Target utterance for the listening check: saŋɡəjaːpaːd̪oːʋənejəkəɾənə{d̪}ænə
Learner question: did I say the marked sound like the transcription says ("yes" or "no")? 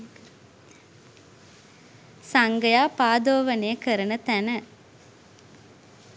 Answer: no